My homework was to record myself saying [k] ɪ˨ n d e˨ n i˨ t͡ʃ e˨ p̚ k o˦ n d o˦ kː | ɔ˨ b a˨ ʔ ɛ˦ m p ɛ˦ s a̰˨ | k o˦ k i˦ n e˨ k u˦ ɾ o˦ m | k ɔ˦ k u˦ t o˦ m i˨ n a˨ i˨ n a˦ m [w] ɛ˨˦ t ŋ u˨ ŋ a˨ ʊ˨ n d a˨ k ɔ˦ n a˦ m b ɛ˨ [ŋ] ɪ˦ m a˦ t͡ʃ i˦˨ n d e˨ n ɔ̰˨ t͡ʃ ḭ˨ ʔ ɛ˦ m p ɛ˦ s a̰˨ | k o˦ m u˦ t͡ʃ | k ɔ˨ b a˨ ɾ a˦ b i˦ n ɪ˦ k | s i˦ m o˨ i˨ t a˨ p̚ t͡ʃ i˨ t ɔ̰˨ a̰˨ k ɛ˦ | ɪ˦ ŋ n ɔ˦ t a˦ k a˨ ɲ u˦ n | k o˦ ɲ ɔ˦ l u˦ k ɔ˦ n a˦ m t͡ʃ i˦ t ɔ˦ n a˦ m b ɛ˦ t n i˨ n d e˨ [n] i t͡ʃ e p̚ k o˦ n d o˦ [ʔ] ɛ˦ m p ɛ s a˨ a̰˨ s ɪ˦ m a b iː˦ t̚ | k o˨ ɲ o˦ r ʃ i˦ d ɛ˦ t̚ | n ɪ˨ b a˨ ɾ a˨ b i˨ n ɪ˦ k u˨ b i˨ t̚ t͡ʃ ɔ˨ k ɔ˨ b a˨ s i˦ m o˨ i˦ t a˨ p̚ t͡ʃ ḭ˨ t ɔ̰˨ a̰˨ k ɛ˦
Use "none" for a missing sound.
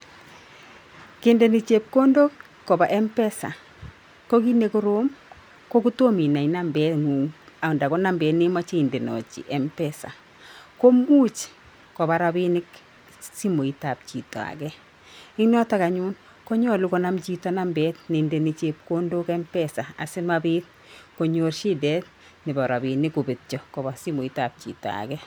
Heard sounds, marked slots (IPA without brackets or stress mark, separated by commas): k, b, n, n, k